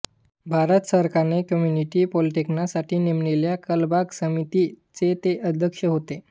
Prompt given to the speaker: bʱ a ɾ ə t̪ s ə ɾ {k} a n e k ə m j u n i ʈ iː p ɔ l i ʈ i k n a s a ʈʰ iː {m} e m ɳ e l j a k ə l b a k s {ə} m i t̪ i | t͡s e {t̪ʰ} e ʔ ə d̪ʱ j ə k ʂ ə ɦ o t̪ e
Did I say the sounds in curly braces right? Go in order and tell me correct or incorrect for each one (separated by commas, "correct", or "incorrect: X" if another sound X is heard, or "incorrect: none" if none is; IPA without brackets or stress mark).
correct, incorrect: n, correct, incorrect: t̪